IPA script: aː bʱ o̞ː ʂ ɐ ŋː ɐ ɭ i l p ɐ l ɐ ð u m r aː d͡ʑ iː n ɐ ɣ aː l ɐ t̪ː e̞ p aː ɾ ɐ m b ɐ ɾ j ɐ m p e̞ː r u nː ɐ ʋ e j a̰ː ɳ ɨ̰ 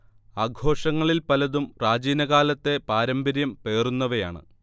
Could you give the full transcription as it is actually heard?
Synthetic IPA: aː ɡʱ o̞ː ʂ ɐ ŋː ɐ ɭ i l p ɐ l ɐ ð u m r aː d͡ʑ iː n ɐ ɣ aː l ɐ t̪ː e̞ p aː ɾ ɐ m b ɐ ɾ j ɐ m p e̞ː r u nː ɐ ʋ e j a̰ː ɳ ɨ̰